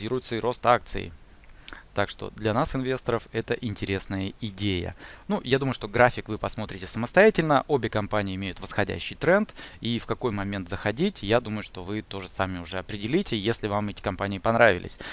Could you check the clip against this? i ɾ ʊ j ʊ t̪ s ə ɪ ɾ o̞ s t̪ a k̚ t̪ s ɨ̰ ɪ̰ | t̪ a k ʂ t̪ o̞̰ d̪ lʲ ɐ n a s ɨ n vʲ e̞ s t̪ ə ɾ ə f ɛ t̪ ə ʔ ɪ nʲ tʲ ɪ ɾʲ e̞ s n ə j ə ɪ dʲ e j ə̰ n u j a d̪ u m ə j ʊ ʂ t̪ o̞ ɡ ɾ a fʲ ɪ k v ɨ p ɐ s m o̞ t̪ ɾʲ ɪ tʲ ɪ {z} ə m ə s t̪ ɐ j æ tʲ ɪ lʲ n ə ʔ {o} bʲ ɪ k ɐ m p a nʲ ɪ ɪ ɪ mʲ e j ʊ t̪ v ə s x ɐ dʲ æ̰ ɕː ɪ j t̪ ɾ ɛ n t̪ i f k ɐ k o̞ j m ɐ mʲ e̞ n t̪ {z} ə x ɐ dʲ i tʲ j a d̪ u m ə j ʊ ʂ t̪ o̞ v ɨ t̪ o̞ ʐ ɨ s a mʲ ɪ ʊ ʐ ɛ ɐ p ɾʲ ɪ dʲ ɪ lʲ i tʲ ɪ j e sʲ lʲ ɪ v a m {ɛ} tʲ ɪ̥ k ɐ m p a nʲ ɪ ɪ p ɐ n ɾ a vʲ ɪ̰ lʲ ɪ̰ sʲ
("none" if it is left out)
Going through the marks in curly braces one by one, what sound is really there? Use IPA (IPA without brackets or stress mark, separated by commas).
s, o, z, ɛ